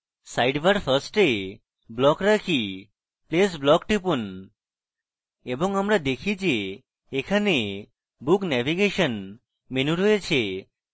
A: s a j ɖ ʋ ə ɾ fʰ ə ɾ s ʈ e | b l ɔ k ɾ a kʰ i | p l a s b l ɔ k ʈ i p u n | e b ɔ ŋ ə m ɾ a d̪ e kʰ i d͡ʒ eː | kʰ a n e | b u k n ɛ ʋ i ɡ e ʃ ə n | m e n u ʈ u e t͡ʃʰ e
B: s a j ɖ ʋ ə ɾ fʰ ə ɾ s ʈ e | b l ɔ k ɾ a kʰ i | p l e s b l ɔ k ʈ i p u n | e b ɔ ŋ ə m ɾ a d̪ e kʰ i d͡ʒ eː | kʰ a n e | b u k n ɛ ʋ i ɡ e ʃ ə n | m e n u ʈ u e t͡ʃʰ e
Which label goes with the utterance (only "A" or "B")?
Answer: B